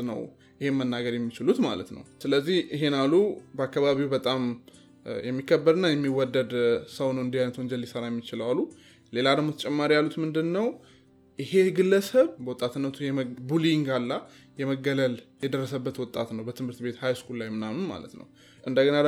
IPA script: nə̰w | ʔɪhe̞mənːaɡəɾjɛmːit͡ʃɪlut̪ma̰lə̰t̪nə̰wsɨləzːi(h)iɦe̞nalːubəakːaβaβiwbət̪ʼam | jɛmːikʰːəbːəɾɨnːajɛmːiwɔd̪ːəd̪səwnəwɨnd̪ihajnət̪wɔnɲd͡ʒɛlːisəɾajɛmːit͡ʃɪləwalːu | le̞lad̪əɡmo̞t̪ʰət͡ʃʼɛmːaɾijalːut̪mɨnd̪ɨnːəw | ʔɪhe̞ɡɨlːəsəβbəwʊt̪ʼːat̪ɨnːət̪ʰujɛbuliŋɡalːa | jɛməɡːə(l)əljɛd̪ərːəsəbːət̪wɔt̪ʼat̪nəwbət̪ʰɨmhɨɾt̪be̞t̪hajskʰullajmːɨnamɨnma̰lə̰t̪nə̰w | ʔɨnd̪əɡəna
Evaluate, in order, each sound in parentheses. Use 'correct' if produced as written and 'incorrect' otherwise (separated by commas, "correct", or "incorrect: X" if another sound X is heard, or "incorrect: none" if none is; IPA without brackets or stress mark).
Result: correct, correct